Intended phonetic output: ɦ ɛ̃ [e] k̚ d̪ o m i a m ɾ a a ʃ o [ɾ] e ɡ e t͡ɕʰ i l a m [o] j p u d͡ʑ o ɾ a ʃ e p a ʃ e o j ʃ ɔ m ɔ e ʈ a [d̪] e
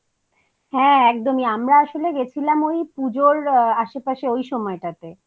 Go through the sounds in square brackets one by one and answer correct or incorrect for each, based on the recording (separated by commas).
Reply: incorrect, incorrect, correct, incorrect